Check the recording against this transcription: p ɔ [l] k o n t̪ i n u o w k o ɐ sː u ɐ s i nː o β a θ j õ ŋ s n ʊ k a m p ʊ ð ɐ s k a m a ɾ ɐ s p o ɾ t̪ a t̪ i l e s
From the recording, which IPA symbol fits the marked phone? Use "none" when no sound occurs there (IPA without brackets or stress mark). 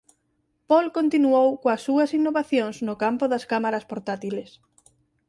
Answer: l